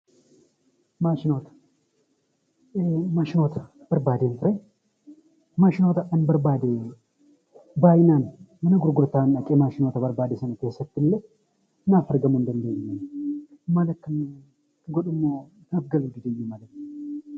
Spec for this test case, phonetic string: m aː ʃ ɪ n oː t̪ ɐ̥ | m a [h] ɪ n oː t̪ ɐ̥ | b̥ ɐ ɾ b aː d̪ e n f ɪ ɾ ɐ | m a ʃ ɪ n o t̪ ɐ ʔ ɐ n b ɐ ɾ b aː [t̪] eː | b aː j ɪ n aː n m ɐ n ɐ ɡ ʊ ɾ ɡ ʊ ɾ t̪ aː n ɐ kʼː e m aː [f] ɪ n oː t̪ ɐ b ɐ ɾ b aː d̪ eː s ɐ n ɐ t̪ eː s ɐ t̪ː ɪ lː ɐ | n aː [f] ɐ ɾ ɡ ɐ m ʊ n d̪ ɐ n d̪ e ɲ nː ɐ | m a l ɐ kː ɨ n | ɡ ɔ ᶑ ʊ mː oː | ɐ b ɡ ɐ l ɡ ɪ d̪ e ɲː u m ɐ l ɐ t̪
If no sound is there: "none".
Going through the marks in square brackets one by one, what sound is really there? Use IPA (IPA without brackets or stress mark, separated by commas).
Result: ʃ, d̪, ʃ, f